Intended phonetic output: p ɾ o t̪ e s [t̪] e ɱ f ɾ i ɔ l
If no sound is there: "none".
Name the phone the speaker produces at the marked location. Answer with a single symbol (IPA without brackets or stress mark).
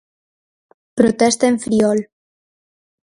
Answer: t̪